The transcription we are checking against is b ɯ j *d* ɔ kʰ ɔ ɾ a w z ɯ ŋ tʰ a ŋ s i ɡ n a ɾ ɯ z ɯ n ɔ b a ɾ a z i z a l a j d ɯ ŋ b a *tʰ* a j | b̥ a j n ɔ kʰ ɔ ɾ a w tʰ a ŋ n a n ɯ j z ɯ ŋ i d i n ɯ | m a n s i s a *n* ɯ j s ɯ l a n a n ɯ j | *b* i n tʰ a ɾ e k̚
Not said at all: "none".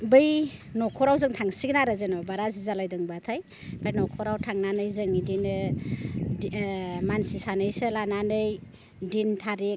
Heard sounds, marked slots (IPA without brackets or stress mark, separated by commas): n, tʰ, n, d